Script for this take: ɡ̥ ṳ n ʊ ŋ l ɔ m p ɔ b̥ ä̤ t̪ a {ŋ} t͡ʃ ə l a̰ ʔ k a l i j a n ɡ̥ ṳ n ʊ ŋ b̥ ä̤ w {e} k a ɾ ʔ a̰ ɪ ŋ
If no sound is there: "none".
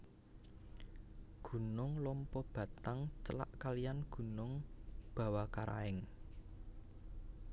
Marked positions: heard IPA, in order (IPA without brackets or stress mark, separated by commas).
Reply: ŋ, a